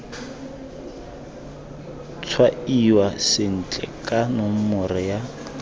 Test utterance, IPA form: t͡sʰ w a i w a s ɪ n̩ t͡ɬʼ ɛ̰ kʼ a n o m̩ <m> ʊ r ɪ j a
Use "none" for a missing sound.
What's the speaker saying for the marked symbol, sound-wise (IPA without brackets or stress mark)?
m